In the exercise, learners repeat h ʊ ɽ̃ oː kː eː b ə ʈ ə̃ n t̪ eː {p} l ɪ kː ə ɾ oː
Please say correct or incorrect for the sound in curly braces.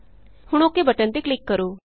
incorrect